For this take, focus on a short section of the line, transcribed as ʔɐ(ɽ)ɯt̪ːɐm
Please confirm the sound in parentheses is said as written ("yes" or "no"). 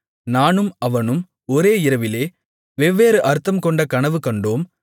no